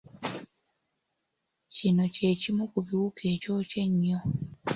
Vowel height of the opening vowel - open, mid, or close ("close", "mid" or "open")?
close